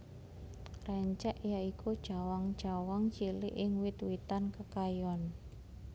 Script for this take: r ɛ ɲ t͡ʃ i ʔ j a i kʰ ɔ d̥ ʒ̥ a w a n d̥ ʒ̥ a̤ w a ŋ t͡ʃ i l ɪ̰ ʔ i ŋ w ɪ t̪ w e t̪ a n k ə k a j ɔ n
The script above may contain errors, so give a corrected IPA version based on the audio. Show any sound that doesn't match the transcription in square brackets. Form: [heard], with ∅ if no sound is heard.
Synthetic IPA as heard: r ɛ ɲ t͡ʃ [ɛ] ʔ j a i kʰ [u] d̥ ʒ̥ a w a [ŋ] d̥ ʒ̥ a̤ w a ŋ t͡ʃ i l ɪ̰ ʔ [ɪ] ŋ w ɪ t̪ w [i] t̪ a n k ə k a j ɔ n